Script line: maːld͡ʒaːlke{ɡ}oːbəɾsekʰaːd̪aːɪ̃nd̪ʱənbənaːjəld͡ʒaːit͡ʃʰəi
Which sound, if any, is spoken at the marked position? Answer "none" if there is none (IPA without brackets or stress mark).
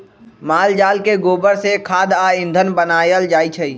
ɡ